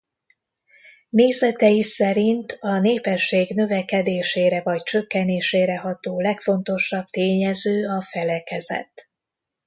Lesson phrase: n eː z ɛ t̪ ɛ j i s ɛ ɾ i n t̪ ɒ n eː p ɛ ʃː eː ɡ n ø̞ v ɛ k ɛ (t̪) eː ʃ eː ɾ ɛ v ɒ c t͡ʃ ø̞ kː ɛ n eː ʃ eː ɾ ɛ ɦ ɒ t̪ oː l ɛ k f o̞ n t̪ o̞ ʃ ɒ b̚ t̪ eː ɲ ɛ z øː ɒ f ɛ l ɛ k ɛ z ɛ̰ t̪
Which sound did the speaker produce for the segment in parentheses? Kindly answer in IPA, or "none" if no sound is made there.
d̪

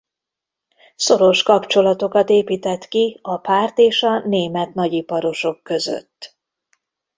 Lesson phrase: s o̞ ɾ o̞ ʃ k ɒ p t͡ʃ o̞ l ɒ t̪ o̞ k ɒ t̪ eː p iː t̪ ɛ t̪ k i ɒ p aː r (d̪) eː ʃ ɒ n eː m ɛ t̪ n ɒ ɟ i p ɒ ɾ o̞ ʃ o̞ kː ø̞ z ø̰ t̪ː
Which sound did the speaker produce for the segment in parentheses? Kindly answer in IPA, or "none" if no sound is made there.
t̪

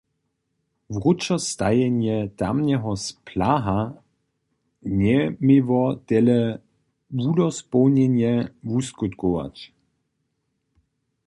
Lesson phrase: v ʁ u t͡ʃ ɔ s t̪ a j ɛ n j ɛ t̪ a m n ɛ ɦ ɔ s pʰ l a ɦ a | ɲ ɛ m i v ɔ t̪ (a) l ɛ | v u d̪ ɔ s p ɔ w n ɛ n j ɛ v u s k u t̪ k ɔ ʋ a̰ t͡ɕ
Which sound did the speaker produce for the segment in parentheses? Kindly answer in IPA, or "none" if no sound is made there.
ɛ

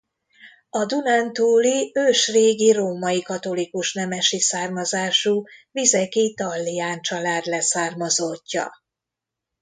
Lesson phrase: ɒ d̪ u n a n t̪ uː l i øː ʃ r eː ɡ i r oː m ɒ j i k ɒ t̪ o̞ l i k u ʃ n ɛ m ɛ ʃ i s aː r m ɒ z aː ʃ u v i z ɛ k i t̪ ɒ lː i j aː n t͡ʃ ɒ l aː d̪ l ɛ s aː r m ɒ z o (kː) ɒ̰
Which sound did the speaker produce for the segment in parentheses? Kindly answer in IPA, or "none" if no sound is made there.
cː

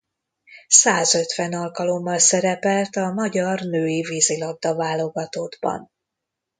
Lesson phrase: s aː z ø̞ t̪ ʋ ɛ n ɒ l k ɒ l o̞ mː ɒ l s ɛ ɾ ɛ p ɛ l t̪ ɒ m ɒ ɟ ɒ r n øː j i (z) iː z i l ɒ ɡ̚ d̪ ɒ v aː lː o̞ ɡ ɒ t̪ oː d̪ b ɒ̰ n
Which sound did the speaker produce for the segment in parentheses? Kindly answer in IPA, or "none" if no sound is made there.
v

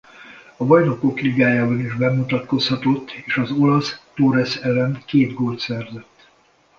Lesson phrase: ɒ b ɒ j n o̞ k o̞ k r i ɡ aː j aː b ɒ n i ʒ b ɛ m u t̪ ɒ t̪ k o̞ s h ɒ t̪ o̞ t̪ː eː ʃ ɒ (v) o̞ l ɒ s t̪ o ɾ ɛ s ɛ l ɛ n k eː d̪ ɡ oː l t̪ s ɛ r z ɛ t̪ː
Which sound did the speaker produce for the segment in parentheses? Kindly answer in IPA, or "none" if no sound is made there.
z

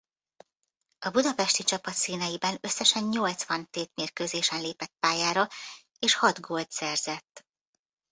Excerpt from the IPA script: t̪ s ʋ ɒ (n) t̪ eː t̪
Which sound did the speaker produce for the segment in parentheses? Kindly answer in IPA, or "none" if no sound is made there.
n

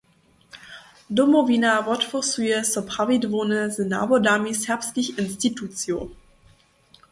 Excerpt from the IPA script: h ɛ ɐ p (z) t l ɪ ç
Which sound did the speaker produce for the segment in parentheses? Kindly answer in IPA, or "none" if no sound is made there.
s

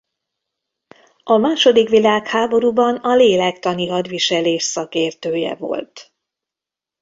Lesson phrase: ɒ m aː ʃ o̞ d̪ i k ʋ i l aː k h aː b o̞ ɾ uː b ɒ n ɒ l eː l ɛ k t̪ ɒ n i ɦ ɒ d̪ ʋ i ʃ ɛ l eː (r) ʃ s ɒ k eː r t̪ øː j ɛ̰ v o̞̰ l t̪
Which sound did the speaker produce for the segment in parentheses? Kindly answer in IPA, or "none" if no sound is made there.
none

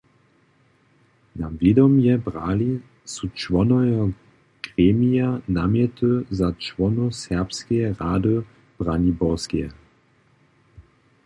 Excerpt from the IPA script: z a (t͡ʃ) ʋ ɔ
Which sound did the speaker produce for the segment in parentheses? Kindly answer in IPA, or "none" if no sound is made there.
t͡ʃ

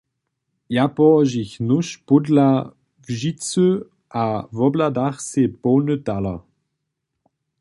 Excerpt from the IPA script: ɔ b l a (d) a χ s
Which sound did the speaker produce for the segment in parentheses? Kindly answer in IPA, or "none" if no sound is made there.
d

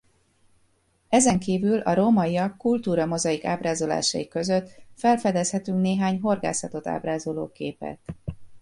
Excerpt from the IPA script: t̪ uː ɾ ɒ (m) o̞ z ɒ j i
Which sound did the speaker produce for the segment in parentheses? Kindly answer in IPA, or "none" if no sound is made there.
m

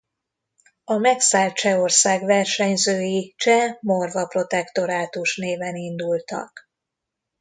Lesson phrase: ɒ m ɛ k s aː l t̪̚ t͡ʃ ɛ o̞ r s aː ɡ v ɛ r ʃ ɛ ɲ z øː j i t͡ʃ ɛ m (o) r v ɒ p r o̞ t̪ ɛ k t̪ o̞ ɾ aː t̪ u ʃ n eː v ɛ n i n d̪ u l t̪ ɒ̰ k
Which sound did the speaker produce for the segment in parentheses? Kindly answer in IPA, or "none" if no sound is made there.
o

